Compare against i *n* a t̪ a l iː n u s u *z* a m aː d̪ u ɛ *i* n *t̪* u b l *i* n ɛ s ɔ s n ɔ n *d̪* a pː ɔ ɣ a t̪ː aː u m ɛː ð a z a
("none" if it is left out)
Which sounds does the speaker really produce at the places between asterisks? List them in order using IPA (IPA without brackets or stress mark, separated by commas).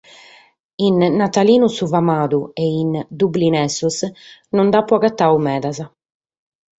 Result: nː, v, i, d̪, i, d̪